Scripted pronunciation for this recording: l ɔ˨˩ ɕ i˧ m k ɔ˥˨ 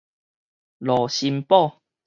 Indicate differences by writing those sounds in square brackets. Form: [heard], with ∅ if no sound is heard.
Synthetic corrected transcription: l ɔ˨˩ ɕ i˧ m [p] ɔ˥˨